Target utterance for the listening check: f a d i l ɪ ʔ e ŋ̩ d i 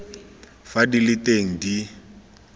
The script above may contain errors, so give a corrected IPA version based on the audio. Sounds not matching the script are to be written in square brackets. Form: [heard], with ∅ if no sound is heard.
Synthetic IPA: f a d i l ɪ [t] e ŋ̩ d i